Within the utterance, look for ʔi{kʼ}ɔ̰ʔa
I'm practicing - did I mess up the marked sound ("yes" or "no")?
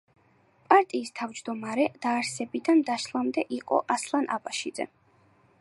yes